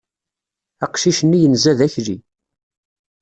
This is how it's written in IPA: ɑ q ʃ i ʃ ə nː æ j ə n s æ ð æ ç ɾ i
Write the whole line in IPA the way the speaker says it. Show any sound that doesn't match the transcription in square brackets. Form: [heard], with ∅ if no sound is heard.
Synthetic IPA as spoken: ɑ q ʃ i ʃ ə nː [i] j ə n [z] æ ð æ ç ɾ i

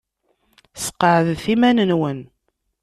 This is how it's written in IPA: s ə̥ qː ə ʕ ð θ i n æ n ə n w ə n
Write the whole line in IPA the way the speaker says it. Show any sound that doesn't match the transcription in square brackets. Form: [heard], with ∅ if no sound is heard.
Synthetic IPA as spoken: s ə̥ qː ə ʕ ð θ i [m] æ n ə n w ə n

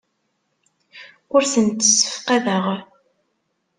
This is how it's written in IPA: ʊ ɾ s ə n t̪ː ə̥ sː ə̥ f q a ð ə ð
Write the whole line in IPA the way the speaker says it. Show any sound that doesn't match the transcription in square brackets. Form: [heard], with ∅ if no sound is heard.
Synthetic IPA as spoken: ʊ ɾ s ə n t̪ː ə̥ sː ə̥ f q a ð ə [ʁ]

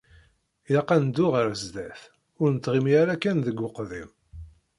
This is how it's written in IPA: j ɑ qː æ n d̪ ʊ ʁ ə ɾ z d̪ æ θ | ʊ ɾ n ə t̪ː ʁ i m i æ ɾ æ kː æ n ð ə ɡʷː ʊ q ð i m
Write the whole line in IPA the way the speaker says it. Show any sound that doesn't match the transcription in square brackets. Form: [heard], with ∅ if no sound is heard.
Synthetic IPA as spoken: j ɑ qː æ n d̪ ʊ ʁ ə ɾ z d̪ æ θ | ʊ ɾ n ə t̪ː ʁ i m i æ ɾ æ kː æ n ð ə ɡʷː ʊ q ð i m

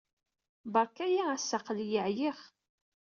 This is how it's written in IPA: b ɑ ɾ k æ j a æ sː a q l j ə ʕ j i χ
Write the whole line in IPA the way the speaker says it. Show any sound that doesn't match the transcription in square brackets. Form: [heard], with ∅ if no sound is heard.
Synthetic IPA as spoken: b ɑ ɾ k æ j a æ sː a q l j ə ʕ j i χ

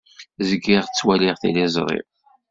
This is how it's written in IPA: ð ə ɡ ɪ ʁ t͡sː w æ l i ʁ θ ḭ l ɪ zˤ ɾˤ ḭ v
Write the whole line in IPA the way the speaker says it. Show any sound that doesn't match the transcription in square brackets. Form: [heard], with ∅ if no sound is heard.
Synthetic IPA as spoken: [z] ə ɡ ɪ ʁ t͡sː w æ l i ʁ θ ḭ l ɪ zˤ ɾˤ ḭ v

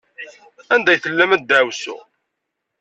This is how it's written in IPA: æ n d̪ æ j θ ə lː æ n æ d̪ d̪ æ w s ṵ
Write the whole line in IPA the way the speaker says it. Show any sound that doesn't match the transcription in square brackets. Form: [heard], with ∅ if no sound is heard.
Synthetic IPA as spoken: æ n d̪ æ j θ ə lː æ [m] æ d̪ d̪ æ w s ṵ

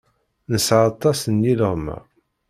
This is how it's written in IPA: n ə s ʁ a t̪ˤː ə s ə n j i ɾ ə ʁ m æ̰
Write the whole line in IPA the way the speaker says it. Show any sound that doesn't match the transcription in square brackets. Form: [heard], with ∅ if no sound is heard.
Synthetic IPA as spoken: n ə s [ʕ] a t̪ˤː [ɑ] s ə n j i [l] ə ʁ m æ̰

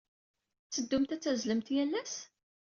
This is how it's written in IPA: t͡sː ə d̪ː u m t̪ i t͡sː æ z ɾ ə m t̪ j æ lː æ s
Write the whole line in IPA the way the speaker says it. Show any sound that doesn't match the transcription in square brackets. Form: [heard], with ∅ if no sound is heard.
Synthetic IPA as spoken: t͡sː ə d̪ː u m t̪ [æ] t͡sː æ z [l] ə m t̪ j æ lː æ s

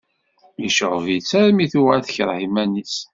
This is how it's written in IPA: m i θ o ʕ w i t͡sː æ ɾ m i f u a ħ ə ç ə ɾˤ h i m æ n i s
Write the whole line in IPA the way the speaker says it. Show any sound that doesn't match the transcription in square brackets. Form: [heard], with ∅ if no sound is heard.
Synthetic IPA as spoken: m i [ʃ] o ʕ [v] i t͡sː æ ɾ m i [θ] u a [θ] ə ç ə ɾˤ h i m æ n i s

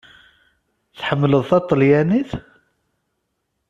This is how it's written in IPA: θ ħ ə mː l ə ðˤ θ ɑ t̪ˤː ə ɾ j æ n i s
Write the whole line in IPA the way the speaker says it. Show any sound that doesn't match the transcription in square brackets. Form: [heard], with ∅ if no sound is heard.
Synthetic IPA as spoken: θ ħ ə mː l ə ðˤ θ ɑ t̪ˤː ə [l] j æ n i [θ]

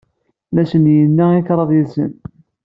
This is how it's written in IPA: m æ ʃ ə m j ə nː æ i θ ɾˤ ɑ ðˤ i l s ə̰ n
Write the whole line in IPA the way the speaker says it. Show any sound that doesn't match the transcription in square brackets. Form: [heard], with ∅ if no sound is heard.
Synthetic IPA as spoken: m æ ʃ ə [n] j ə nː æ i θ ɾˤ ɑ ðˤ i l s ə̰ n

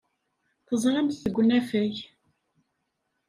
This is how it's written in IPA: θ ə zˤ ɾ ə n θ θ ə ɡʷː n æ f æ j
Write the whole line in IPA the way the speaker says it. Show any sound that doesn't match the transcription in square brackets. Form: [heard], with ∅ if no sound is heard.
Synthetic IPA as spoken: θ ə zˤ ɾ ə [m] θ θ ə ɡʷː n æ f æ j

